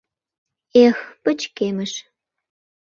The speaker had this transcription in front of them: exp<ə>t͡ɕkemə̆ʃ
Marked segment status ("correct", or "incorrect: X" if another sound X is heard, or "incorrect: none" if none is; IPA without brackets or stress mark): correct